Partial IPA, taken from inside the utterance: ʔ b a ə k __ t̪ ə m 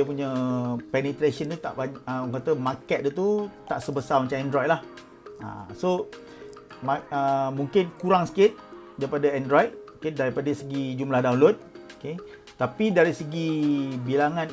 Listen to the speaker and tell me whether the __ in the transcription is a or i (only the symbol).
a